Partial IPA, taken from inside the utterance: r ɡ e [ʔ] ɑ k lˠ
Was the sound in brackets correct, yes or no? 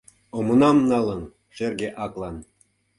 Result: yes